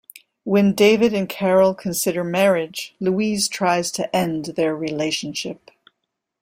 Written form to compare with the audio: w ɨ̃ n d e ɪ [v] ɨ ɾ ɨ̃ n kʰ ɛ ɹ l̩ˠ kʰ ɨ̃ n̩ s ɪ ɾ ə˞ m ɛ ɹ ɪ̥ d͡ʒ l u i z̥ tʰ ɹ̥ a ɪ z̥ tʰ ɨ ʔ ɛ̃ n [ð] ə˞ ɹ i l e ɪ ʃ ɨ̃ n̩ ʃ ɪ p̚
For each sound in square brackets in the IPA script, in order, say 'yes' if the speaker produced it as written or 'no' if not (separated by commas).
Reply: yes, yes